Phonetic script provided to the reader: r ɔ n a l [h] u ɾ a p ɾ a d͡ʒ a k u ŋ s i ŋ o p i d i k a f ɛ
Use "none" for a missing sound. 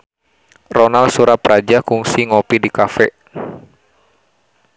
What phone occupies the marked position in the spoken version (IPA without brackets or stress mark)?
s